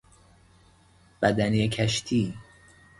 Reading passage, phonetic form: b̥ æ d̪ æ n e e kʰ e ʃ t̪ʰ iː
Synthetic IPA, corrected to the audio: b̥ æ d̪ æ n i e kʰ æ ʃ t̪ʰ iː

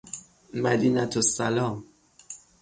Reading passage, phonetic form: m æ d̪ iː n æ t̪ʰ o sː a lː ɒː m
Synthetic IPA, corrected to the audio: m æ d̪ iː n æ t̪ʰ o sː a l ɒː m

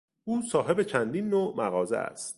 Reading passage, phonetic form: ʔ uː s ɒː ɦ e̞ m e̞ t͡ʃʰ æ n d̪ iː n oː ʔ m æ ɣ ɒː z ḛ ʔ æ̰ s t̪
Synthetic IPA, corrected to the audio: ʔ uː s ɒː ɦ e̞ b e̞ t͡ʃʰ æ n d̪ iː nː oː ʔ m æ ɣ ɒː z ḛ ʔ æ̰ s t̪

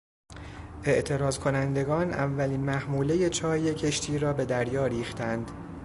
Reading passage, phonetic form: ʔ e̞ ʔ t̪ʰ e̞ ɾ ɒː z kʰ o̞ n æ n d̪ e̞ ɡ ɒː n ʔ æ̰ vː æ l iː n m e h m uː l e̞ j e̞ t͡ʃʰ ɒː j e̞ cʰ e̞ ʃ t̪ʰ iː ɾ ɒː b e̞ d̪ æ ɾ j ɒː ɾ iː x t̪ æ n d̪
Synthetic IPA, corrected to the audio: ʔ e̞ ʔ t̪ʰ e̞ ɾ ɒː z kʰ o̞ n æ n d̪ e̞ ɡ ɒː n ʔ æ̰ vː æ l iː n m æ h m uː l e̞ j e̞ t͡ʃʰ ɒː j e̞ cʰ e̞ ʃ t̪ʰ iː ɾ ɒː b e̞ d̪ æ ɾ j ɒː ɾ iː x t̪ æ n d̪

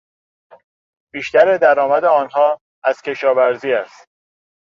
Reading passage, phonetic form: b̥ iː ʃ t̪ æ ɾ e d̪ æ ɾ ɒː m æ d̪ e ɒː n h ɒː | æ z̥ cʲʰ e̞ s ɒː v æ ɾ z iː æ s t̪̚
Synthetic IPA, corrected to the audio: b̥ iː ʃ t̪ æ ɾ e d̪ æ ɾ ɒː m æ d̪ e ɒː n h ɒː | æ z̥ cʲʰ e̞ ʃ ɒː v æ ɾ z iː æ s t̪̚

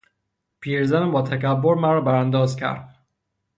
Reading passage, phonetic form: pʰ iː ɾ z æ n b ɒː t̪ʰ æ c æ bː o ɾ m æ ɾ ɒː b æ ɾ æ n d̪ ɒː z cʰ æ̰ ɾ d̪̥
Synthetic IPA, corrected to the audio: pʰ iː ɾ z æ n b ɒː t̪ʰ æ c æ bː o ɾ m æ ɾ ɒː b æ ɾ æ n d̪ ɒː z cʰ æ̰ ɾ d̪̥

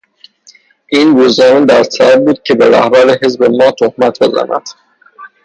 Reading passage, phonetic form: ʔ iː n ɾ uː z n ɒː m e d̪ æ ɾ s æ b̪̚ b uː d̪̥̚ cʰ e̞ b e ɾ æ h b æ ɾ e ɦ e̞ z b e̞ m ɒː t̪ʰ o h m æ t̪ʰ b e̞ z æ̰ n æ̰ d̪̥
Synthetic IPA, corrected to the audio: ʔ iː n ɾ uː z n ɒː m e d̪ æ ɾ s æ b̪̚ b uː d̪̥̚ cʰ e̞ b e ɾ æ h b æ ɾ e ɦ e̞ z b e̞ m ɒː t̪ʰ o h m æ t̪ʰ b e̞ z æ̰ n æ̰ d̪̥

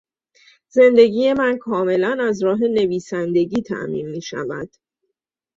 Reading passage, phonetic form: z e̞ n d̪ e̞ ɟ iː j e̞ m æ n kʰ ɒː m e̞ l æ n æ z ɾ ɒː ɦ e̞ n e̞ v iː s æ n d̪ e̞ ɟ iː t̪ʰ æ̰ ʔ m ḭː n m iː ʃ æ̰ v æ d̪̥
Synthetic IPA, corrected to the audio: z e̞ n d̪ e̞ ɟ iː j e̞ m æ n kʰ ɒː m e̞ l æ n æ z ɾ ɒː ɦ e̞ n e̞ v iː s æ n d̪ e̞ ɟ iː t̪ʰ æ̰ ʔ m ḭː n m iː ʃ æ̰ v æ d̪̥

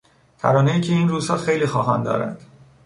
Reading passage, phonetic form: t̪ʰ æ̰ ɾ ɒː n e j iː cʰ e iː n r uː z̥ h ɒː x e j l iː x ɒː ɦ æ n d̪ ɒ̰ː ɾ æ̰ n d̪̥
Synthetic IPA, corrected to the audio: t̪ʰ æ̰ ɾ ɒː n e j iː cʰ e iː n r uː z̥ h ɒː x e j l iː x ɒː ɦ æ n d̪ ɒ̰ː ɾ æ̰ n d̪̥

